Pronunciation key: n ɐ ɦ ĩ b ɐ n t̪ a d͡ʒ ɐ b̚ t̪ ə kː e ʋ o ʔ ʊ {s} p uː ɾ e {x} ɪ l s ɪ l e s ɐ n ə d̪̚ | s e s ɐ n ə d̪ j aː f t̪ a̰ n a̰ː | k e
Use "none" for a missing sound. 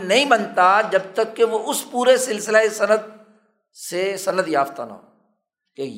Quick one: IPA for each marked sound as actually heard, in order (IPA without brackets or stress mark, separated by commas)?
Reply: s, s